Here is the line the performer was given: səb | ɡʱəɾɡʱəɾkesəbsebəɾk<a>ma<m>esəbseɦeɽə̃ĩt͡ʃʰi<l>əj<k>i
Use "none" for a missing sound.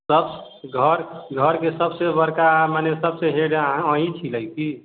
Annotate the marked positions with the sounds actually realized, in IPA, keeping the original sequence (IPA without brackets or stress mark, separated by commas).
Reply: a, n, l, k